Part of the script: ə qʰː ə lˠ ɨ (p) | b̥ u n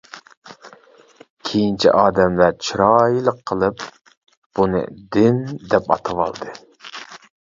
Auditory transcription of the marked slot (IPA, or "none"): p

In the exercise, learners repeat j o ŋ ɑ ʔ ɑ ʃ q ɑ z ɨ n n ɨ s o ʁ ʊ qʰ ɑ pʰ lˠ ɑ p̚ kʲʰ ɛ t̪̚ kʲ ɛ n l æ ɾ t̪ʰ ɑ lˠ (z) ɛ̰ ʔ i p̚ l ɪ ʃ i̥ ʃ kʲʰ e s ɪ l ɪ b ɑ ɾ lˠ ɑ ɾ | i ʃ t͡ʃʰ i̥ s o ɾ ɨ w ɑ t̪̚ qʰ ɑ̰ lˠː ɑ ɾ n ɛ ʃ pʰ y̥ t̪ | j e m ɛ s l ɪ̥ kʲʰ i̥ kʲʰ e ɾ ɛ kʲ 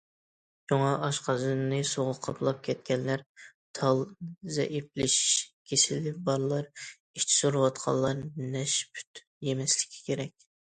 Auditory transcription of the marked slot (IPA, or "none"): z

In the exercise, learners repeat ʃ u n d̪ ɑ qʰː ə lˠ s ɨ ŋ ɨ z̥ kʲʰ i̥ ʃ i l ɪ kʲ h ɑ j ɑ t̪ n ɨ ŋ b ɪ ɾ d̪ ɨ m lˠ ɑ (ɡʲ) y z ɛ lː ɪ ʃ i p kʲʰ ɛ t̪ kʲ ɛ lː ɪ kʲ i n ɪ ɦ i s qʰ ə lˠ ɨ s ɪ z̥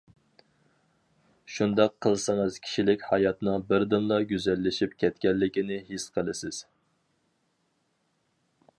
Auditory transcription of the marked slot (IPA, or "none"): ɡʲ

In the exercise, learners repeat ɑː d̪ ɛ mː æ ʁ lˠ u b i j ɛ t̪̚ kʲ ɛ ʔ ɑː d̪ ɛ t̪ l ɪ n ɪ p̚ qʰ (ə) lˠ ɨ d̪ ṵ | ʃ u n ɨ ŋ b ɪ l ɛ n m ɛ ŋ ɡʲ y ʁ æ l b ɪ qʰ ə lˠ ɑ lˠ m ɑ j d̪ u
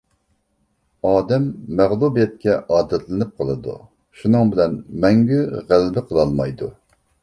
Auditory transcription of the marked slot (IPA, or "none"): ə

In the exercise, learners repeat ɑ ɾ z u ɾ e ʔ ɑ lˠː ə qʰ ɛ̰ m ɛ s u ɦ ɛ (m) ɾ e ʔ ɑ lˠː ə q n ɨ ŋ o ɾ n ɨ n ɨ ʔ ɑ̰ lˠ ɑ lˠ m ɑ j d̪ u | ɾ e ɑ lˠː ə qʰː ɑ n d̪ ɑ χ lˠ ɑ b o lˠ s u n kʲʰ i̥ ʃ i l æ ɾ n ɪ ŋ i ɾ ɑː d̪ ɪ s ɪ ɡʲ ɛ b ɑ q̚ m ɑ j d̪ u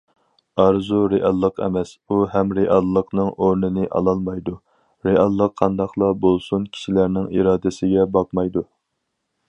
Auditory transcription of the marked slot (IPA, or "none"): m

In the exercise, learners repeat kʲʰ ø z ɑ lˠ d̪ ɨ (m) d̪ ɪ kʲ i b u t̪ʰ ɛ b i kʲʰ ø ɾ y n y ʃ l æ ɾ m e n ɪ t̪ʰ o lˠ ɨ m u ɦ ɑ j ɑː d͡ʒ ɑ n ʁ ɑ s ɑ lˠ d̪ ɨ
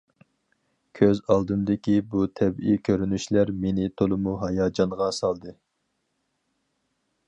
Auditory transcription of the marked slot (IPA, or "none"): m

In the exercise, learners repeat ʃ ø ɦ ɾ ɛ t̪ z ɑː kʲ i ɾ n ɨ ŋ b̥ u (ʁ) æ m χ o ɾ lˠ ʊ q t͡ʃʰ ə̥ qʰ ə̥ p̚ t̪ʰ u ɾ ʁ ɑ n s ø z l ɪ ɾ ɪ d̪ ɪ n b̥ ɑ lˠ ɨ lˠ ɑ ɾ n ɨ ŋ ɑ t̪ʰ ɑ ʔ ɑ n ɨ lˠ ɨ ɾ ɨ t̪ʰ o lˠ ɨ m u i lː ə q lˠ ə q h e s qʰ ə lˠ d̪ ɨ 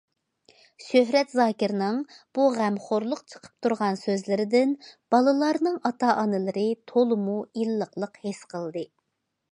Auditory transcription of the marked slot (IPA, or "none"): ʁ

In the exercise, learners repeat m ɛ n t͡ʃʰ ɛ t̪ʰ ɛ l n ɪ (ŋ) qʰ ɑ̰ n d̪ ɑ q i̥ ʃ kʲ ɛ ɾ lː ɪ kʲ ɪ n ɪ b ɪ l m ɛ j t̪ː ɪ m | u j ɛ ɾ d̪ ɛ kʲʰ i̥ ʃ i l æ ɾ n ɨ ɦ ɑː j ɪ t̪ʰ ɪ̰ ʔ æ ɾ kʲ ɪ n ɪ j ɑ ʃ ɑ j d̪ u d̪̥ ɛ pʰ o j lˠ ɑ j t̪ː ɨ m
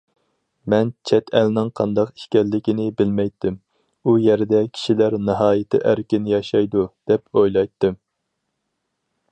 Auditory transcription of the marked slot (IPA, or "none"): ŋ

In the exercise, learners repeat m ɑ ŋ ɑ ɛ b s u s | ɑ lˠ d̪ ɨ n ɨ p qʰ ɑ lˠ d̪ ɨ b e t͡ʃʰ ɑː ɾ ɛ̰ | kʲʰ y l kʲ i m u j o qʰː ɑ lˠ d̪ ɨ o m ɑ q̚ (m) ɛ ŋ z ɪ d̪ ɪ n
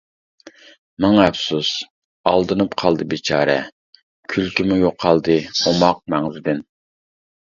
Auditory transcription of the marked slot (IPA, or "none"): m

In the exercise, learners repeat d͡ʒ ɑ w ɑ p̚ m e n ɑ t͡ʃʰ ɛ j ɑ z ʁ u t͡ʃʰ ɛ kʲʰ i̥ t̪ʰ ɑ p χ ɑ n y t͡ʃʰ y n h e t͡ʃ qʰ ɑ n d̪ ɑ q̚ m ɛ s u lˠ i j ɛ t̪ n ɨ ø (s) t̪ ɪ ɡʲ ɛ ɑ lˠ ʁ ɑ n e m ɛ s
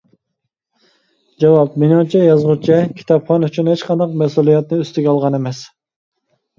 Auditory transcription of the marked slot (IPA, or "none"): s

